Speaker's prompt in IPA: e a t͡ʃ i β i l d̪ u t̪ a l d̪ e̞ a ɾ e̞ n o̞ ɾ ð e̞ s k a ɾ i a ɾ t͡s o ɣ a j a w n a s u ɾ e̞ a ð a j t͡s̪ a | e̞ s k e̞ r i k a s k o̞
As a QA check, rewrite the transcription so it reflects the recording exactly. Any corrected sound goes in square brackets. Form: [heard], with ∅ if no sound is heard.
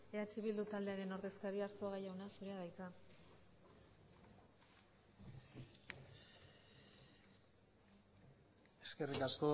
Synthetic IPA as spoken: e a t͡ʃ i β i l d̪ u t̪ a l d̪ e̞ a ɾ e̞ n o̞ ɾ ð e̞ s k a ɾ i a ɾ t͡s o ɣ a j a w n a s u ɾ e̞ a ð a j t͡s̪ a | e̞ s k e̞ r i k a s k o̞

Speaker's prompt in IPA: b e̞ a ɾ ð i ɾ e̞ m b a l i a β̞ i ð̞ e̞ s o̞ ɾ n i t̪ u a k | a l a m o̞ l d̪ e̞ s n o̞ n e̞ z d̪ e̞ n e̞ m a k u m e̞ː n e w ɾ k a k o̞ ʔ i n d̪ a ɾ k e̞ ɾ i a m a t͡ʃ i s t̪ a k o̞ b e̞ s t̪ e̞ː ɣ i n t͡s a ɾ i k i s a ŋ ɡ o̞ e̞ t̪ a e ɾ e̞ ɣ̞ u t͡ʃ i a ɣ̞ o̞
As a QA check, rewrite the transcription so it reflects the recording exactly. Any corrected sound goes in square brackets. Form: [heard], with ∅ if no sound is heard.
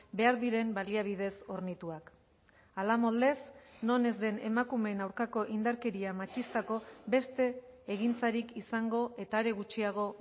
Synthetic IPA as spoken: b e̞ a ɾ ð i ɾ e̞ m b a l i a β̞ i ð̞ e̞ s o̞ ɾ n i t̪ u a k | a l a m o̞ l d̪ e̞ s n o̞ n e̞ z d̪ e̞ n e̞ m a k u m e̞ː n [a] w ɾ k a k o̞ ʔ i n d̪ a ɾ k e̞ ɾ i a m a t͡ʃ i s t̪ a k o̞ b e̞ s t̪ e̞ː ɣ i n t͡s a ɾ i k i s a ŋ ɡ o̞ e̞ t̪ a e ɾ e̞ ɣ̞ u t͡ʃ i a ɣ̞ o̞

